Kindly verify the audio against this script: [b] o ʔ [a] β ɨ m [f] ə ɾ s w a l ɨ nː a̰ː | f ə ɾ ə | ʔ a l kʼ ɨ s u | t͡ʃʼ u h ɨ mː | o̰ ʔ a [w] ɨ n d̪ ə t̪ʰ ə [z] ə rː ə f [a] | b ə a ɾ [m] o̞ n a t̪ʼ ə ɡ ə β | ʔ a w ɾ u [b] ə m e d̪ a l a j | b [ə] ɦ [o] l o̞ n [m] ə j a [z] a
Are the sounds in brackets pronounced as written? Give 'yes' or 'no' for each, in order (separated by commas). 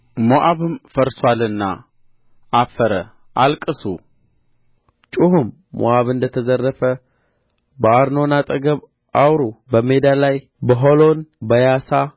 no, yes, yes, no, yes, no, no, yes, yes, yes, no, no